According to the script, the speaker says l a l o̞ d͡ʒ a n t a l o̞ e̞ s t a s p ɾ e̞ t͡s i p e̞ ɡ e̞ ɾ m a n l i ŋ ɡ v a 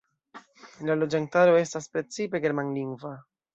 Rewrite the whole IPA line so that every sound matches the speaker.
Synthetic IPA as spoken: l a l o̞ d͡ʒ a n t a ɾ o̞ e̞ s t a s p ɾ e̞ t͡s i p e̞ ɡ e̞ ɾ m a n l i ŋ ɡ v a